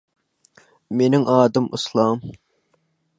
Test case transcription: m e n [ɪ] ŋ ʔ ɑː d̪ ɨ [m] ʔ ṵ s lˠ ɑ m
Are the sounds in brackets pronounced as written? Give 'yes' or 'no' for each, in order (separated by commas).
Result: yes, yes